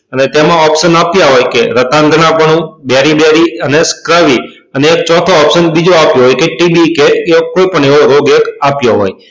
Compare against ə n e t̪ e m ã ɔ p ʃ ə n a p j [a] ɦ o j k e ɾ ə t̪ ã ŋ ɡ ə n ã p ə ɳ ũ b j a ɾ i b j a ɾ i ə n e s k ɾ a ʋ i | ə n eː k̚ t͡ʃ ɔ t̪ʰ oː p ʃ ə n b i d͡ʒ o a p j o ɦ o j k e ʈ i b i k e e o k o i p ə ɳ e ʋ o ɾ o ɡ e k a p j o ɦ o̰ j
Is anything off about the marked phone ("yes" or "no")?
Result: no